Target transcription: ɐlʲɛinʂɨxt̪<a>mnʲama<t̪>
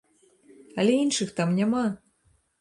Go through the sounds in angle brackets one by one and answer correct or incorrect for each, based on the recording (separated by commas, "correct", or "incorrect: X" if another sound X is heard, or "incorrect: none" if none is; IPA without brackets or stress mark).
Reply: correct, incorrect: none